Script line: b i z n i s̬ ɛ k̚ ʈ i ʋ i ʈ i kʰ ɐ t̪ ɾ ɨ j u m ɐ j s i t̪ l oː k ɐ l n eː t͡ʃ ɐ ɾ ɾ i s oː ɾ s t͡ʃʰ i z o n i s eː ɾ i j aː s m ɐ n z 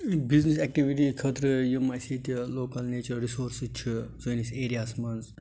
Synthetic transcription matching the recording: b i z n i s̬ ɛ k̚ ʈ i ʋ i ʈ i kʰ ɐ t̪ ɾ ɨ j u m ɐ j s i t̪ l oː k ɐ l n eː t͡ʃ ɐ ɾ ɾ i s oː ɾ s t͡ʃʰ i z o n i s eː ɾ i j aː s m ɐ n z